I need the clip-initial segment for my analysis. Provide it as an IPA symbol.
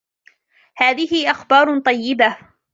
h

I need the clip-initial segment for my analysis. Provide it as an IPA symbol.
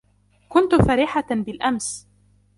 k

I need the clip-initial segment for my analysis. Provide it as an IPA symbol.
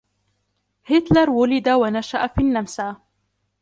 h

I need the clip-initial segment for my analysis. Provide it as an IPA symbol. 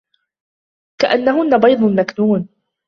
k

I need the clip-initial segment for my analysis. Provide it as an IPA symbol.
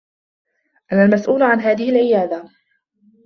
ʔ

